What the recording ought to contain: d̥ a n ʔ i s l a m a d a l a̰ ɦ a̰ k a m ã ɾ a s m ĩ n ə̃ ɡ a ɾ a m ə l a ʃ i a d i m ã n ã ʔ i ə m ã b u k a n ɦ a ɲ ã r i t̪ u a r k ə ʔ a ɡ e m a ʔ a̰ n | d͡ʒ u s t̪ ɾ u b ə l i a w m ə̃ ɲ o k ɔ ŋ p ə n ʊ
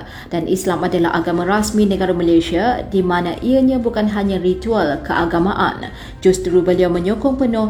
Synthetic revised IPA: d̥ a n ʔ i s l a m a d a l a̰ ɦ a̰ ɡ a m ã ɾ a s m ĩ n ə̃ ɡ a ɾ a m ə l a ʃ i a d i m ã n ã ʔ i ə ɲ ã b u k a n ɦ a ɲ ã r i t̪ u a l k ə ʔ a ɡ a m a ʔ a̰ n | d͡ʒ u s t̪ ɾ u b ə l i a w m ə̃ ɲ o k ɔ ŋ p ə n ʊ